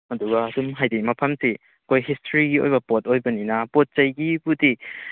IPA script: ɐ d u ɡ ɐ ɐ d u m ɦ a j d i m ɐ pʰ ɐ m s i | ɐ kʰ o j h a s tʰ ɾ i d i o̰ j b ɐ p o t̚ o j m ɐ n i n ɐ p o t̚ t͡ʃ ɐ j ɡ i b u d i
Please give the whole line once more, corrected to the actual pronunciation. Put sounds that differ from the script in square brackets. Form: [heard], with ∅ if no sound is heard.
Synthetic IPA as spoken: ɐ d u ɡ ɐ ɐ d u m ɦ a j d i m ɐ pʰ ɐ m s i | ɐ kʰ o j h [i] s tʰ ɾ i [ɡ] i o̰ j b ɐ p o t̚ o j [b] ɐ n i n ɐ p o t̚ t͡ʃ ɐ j ɡ i b u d i